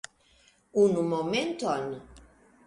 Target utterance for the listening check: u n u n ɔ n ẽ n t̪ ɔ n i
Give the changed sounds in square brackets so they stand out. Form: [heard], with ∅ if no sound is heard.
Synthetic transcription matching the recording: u n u [m] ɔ [m] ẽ n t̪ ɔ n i

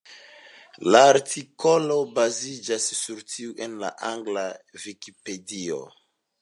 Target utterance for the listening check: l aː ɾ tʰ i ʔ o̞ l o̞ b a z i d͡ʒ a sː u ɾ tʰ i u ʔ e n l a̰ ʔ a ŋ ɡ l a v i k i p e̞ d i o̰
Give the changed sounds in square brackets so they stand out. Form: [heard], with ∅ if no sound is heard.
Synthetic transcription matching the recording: l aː ɾ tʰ i [k] o̞ l o̞ b a z i d͡ʒ a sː u ɾ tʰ i u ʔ e n l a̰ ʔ a ŋ ɡ l a v i k i p e̞ d i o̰

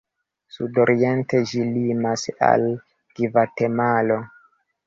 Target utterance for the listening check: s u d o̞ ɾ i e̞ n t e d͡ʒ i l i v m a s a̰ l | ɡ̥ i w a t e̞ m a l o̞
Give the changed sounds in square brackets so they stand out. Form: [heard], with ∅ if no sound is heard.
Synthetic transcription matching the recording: s u d o̞ ɾ i e̞ n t e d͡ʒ i l i [∅] m a s a̰ l | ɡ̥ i [v] a t e̞ m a l o̞

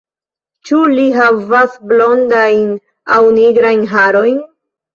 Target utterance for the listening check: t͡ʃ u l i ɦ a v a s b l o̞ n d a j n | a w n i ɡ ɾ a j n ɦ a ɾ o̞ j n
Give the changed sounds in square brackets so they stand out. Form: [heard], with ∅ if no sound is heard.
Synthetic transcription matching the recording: t͡ʃ u l i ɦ a v a s b l o̞ n d a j n | a w n i ɡ ɾ a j n ɦ a ɾ o̞ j n

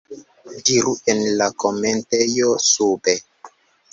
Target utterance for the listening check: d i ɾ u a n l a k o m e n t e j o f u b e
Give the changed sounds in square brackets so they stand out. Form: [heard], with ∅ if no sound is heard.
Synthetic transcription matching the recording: d i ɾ u [e] n l a k o m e n t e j o [s] u b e

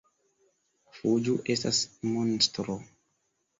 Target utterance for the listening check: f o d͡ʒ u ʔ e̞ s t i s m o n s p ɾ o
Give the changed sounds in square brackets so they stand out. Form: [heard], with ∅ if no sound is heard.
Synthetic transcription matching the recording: f [u] d͡ʒ u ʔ e̞ s t [a] s m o n s [t] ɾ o

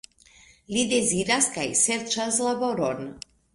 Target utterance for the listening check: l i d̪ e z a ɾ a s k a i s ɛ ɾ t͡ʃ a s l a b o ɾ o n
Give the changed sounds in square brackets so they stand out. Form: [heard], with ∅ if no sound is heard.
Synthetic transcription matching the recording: l i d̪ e z [i] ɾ a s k a [j] s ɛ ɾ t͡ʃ a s l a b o ɾ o n

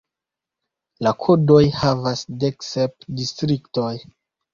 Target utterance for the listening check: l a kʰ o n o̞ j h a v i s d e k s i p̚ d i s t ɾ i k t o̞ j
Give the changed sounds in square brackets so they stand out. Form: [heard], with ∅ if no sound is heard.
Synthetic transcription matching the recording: l a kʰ o [d] o̞ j h a v [a] s d e k s [e] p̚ d i s t ɾ i k t o̞ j

